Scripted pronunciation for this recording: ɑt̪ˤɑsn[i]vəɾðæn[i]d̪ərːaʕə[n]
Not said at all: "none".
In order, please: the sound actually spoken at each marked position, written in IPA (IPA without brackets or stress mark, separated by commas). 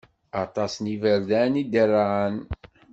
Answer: i, i, n